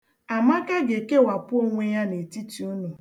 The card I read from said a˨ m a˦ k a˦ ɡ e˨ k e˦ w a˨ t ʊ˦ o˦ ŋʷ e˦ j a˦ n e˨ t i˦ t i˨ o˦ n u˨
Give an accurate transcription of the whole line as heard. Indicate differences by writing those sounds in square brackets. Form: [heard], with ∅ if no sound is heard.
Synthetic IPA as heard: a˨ m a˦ k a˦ ɡ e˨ k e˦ w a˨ [p] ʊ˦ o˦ ŋʷ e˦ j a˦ n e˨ t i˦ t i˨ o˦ n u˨